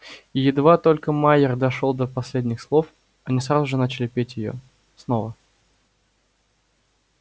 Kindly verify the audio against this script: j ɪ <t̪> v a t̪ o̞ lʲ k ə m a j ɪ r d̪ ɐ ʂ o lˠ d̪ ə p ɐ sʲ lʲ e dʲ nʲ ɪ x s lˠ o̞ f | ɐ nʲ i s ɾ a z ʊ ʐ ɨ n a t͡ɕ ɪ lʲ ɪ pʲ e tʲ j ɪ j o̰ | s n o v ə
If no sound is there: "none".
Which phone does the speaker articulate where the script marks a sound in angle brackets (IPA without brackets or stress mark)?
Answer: d̪